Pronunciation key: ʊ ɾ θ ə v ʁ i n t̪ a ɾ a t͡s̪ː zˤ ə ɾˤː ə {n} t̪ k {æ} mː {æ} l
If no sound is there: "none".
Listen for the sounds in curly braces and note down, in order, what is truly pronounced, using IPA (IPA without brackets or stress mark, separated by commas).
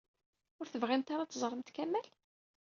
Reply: m, æ, æ